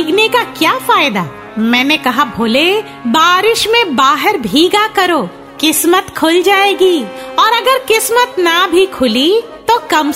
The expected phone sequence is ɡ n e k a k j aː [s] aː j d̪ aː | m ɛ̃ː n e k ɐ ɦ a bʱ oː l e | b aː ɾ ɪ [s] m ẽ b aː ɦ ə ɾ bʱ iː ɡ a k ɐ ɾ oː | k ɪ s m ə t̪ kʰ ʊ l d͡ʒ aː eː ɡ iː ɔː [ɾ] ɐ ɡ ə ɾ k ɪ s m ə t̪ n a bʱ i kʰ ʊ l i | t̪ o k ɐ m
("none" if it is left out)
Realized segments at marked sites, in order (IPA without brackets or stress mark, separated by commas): f, ʃ, ɾ